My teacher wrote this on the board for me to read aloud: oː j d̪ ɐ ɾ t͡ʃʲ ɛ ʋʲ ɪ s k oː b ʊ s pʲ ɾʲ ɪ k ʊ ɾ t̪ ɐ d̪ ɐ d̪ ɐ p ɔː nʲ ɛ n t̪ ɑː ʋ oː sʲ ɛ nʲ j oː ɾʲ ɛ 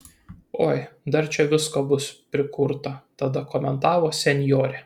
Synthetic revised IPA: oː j d̪ ɐ ɾ t͡ʃʲ ɛ ʋʲ ɪ s k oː b ʊ s pʲ ɾʲ ɪ k ʊ ɾ t̪ ɐ t̪ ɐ d̪ ɐ k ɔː mʲ ɛ n t̪ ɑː ʋ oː sʲ ɛ nʲ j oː ɾʲ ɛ

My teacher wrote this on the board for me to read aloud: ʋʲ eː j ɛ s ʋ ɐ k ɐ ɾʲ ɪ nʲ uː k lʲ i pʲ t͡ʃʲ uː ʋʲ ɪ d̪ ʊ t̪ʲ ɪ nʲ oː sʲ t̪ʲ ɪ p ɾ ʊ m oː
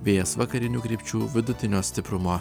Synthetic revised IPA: ʋʲ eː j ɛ s ʋ ɐ k ɐ ɾʲ ɪ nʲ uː k ɾʲ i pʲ t͡ʃʲ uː ʋʲ ɪ d̪ ʊ t̪ʲ ɪ nʲ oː sʲ t̪ʲ ɪ p ɾ ʊ m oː

